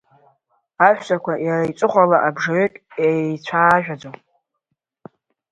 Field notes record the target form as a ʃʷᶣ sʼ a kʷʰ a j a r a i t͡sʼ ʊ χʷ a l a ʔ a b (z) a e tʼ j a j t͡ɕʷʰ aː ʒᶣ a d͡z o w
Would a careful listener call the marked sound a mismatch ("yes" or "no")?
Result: yes